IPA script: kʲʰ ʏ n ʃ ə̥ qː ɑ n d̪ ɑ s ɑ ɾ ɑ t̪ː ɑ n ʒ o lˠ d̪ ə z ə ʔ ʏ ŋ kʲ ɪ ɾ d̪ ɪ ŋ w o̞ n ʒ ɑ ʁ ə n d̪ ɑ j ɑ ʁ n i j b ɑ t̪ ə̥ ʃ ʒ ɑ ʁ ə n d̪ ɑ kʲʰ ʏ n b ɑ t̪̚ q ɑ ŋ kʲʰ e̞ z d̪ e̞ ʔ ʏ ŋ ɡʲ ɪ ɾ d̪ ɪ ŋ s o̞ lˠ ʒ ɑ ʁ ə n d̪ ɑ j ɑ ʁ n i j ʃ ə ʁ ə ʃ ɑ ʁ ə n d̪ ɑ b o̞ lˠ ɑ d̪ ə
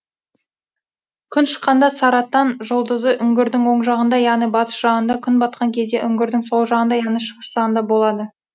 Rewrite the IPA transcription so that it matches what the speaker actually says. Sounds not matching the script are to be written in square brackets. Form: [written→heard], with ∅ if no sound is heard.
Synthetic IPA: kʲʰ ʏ n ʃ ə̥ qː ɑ n d̪ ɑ s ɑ ɾ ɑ t̪ː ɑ n ʒ o lˠ d̪ ə z ə ʔ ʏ ŋ [kʲ→ɡʲ] ɪ ɾ d̪ ɪ ŋ w o̞ [n→ɴ] ʒ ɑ ʁ ə n d̪ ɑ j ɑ ʁ n i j b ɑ t̪ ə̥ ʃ ʒ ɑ ʁ ə n d̪ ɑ kʲʰ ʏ n b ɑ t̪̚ q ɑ ŋ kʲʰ e̞ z d̪ e̞ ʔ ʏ ŋ ɡʲ ɪ ɾ d̪ ɪ ŋ s o̞ lˠ ʒ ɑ ʁ ə n d̪ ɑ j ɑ ʁ n i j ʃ ə ʁ ə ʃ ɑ ʁ ə n d̪ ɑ b o̞ lˠ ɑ d̪ ə